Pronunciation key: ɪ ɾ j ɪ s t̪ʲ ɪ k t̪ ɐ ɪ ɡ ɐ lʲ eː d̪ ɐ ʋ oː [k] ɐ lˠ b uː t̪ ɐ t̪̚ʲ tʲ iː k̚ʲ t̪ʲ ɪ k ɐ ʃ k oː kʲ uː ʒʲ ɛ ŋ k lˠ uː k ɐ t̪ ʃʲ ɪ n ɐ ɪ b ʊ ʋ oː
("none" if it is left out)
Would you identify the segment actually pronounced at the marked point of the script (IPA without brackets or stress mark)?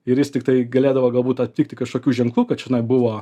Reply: ɡ